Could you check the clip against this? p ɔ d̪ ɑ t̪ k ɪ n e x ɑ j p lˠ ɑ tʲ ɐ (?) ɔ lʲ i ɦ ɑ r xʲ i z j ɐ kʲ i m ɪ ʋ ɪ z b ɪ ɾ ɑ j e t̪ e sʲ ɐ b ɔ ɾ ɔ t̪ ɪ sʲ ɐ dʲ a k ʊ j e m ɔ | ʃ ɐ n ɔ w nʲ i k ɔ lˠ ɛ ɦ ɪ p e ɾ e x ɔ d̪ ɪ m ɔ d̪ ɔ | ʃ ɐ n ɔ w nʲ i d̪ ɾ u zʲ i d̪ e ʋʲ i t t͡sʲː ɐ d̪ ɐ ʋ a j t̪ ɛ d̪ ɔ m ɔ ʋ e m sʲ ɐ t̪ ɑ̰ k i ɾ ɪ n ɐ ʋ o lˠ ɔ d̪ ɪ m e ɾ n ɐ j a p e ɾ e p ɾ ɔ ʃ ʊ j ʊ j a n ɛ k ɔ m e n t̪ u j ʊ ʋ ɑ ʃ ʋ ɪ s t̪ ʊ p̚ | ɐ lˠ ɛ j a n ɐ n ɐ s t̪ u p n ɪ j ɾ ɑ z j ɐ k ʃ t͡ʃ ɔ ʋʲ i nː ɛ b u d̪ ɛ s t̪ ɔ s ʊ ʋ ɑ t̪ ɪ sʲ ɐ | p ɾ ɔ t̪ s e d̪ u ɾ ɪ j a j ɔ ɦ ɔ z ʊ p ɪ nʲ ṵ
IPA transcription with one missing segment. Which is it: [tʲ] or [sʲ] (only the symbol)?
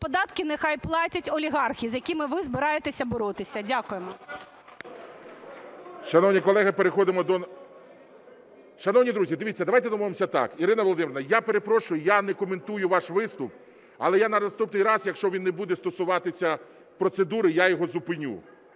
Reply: tʲ